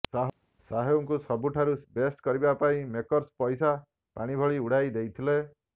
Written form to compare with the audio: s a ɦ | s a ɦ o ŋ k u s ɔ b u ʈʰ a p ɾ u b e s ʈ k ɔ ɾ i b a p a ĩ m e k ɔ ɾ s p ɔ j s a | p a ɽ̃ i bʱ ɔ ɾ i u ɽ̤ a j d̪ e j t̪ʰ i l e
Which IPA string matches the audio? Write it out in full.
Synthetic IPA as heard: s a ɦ | s a ɦ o ŋ k u s ɔ b u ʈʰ a ɾ u b e s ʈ k ɔ ɾ i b a p a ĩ m e k ɔ ɾ s p ɔ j s a | p a ɽ̃ i bʱ ɔ ɭ i u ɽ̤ a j d̪ e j t̪ʰ i l e